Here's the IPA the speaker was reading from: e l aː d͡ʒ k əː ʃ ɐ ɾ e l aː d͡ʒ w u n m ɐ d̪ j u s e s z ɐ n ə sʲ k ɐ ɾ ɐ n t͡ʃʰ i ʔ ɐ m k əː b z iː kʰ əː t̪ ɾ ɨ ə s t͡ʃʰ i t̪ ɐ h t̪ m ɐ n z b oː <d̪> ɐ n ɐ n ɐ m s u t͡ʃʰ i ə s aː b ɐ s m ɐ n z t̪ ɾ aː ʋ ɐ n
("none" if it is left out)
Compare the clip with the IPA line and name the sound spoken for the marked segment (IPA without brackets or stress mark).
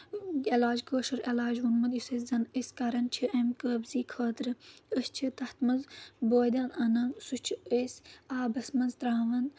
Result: d̪